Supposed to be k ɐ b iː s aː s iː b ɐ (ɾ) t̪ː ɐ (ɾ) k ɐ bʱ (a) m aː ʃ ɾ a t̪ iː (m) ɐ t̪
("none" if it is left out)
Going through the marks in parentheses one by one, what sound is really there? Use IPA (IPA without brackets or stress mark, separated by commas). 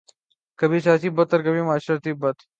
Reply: none, ɾ, i, b